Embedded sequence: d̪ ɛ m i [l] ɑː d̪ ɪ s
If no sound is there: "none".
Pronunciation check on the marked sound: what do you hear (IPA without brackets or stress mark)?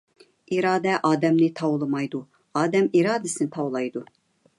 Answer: ɾ